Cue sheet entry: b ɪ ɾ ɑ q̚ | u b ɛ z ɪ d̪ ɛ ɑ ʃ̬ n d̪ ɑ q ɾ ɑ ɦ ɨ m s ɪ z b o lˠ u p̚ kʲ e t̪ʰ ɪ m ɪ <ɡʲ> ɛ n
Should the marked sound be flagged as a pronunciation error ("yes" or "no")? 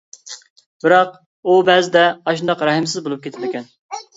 yes